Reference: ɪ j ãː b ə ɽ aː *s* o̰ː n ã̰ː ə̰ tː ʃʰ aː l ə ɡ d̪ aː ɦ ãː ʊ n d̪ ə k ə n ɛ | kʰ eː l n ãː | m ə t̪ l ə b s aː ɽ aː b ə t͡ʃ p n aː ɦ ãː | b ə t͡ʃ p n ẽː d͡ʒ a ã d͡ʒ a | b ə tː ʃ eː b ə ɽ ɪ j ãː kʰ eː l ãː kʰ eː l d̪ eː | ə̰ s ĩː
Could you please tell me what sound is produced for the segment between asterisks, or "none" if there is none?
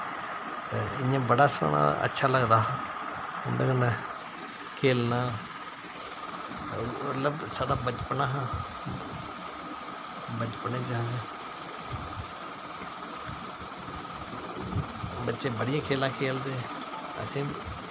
s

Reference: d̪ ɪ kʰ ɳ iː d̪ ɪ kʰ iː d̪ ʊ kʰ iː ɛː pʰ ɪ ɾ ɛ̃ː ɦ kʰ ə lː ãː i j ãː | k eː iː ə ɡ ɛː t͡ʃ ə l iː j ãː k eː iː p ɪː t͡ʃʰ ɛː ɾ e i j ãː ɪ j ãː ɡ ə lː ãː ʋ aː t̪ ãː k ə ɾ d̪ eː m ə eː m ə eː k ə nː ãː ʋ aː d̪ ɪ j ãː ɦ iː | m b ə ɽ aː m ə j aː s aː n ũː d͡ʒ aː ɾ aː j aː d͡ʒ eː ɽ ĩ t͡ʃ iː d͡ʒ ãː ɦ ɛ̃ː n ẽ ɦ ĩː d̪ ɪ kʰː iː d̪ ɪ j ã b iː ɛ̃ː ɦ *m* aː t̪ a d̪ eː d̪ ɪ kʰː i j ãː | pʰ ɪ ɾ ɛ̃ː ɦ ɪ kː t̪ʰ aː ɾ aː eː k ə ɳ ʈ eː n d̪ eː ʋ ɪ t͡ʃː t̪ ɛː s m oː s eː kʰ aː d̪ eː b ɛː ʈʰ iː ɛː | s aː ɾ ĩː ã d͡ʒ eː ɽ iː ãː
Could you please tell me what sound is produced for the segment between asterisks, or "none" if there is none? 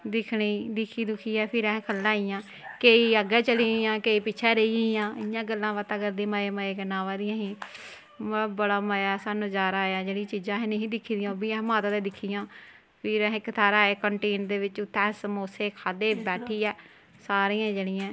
m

